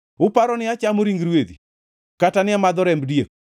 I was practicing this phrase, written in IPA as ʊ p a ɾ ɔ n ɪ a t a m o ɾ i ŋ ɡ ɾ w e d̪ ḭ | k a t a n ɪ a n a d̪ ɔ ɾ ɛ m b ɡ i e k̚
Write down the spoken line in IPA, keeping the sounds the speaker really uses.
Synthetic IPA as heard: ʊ p a ɾ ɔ n ɪ a t͡ʃ a m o ɾ i ŋ ɡ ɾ w e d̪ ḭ | k a t a n ɪ a m a d̪ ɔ ɾ ɛ m b d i e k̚